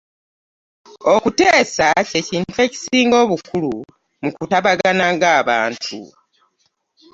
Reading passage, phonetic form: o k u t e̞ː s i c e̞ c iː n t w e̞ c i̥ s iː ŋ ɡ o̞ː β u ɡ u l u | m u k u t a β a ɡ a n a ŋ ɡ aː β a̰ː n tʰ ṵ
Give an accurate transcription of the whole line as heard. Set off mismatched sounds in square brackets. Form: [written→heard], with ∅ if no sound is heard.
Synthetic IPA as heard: o k u t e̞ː s [i→a] c e̞ c iː n t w e̞ c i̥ s iː ŋ ɡ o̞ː β u [ɡ→k] u l u | m u k u t a β a ɡ a n a ŋ ɡ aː β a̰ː n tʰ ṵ